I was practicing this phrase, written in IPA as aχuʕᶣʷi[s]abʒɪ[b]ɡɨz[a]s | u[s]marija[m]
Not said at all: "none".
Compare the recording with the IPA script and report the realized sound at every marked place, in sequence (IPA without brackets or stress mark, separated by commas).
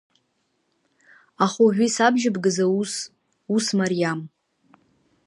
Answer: s, b, a, s, m